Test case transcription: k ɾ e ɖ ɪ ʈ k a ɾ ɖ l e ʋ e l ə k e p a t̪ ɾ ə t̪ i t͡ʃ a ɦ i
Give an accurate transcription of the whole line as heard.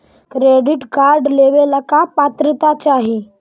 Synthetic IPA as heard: k ɾ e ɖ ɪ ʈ k a ɾ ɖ l e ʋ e l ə k a p a t̪ ɾ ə t̪ a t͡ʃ a ɦ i